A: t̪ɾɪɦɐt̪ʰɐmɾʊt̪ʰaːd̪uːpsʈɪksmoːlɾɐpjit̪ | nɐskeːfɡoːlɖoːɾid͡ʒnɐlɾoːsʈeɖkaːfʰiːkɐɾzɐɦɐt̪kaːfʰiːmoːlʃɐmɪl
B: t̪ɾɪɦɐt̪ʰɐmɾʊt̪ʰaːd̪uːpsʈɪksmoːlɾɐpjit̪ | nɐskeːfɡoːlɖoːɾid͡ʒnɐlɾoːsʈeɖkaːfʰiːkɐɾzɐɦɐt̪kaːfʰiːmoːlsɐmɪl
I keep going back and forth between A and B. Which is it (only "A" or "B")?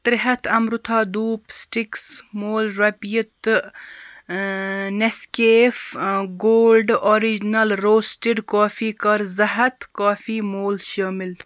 A